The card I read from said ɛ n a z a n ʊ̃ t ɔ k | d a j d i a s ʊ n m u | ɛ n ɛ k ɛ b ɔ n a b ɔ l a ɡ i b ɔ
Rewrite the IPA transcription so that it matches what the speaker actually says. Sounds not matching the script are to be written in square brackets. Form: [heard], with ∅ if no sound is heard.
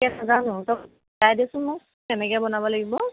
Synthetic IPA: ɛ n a z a n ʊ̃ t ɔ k | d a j d i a s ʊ n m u | ɛ n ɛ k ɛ b ɔ n a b ɔ l a ɡ i b ɔ